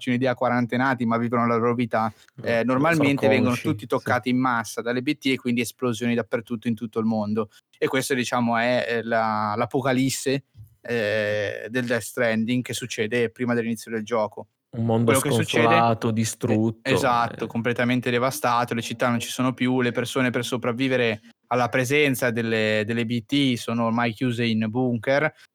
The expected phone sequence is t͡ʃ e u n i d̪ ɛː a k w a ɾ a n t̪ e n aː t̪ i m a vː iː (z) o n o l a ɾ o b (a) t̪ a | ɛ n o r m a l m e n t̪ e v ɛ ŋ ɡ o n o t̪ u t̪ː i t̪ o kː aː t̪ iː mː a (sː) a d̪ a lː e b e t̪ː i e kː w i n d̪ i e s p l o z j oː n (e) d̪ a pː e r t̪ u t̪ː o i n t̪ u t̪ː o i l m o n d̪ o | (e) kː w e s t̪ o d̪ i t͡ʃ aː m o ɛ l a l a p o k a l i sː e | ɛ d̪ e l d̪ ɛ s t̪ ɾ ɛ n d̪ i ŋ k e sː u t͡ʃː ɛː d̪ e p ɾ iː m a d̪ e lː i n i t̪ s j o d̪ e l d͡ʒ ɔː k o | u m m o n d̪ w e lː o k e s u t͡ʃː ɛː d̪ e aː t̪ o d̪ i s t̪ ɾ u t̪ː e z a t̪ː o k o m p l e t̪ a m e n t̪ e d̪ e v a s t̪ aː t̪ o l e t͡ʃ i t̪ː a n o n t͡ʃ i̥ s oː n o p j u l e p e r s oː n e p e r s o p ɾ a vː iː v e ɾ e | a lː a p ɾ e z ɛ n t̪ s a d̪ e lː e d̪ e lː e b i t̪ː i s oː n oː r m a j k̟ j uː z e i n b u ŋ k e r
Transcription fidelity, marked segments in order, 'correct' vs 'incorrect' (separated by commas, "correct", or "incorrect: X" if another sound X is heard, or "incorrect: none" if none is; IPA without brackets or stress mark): incorrect: v, incorrect: i, correct, incorrect: i, correct